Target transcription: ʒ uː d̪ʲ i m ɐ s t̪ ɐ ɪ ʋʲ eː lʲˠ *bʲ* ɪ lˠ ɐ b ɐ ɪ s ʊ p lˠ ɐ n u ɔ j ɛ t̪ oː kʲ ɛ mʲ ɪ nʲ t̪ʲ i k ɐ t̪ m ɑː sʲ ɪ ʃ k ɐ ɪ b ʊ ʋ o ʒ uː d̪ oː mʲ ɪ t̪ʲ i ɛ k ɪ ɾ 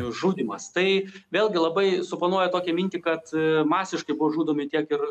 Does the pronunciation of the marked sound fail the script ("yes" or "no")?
yes